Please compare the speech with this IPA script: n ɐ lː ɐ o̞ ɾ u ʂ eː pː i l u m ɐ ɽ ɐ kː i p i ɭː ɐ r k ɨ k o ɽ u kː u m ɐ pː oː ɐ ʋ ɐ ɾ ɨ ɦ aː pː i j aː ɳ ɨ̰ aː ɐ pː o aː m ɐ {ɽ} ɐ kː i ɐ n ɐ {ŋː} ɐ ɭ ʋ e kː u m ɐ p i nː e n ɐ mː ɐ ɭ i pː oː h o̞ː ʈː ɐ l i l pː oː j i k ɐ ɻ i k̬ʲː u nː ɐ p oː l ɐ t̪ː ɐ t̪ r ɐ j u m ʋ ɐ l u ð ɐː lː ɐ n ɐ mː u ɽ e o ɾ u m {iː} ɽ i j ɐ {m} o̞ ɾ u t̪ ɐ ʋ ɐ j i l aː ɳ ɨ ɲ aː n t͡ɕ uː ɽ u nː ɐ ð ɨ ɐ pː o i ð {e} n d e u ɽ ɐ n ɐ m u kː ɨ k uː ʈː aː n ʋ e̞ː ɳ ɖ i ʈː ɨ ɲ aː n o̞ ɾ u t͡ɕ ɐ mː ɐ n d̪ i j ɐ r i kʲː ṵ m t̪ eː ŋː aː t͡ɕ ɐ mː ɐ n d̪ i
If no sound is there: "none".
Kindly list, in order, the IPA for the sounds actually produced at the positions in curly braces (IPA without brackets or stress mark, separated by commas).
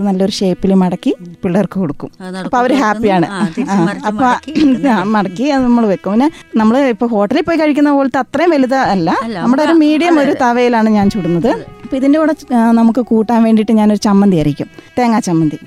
ɽ, mː, iː, m, i